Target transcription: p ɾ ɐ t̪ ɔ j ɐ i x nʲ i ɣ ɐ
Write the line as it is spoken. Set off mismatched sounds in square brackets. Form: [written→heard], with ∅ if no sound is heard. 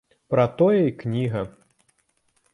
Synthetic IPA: p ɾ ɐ t̪ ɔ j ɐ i [x→k] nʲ i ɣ ɐ